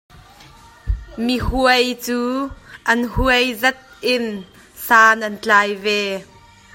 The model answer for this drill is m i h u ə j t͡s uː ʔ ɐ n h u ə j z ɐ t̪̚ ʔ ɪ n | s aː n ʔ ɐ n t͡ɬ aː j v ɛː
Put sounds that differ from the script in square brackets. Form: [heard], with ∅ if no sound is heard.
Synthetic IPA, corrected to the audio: m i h u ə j t͡s uː ʔ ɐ n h u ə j z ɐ t̪̚ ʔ ɪ n | s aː n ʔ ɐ n t͡ɬ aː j v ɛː

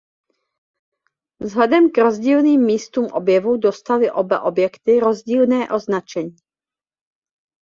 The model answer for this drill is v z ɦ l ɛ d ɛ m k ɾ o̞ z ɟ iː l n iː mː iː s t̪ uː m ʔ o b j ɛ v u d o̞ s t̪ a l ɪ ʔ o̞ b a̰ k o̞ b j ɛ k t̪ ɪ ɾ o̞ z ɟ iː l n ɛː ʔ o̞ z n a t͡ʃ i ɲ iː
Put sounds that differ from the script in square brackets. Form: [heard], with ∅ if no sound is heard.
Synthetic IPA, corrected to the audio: v z ɦ l ɛ d ɛ m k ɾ o̞ z ɟ iː l n iː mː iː s t̪ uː m ʔ o b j ɛ v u d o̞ s t̪ a l ɪ ʔ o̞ b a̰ [ʔ] o̞ b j ɛ k t̪ ɪ ɾ o̞ z ɟ iː l n ɛː ʔ o̞ z n a t͡ʃ [ɛ] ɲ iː

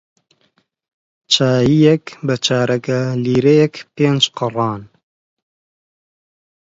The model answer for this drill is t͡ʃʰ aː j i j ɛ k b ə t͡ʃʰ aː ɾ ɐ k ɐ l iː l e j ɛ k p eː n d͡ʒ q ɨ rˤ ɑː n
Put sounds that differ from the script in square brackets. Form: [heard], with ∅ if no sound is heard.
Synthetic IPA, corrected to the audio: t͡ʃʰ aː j i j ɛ k b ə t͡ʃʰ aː ɾ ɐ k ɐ l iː [ɾ] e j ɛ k p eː n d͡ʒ q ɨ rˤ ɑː n

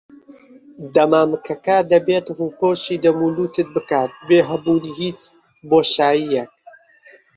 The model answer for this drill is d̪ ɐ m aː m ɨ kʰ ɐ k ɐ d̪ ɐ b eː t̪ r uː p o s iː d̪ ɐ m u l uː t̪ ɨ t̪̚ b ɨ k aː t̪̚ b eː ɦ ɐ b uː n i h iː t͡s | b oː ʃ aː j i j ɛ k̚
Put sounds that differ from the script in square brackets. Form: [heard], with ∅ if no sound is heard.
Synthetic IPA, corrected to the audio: d̪ ɐ m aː m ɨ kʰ ɐ k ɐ d̪ ɐ b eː t̪ r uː p o [ʃ] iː d̪ ɐ m u l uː t̪ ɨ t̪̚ b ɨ k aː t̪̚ b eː ɦ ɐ b uː n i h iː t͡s | b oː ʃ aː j i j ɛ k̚

